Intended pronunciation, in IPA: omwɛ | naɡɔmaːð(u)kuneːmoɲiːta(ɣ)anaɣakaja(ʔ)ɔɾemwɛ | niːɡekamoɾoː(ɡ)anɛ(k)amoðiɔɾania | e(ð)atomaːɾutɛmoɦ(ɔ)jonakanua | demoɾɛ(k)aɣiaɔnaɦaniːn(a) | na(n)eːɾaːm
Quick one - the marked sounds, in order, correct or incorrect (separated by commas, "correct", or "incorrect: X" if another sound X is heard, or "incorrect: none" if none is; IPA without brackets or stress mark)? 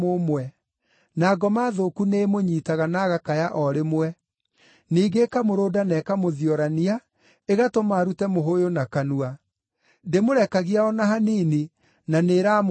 incorrect: o, correct, correct, incorrect: d, correct, incorrect: ɣ, incorrect: o, correct, incorrect: i, correct